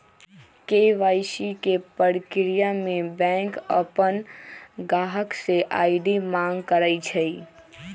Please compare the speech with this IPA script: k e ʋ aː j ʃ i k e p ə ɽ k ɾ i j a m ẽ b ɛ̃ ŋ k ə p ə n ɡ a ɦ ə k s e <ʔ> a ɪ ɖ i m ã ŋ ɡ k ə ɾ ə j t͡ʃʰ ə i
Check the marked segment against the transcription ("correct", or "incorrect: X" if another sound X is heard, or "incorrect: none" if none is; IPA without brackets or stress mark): correct